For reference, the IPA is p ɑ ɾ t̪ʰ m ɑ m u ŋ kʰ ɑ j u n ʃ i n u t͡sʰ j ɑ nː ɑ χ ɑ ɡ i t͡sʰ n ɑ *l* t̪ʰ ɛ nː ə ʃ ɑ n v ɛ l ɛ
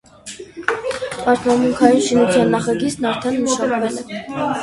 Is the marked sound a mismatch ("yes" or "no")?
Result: yes